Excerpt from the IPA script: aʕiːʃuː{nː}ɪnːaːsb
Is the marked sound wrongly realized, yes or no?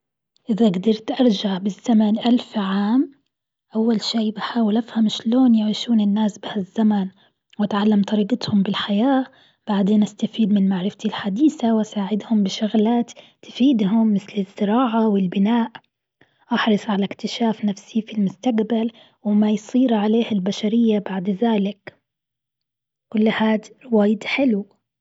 yes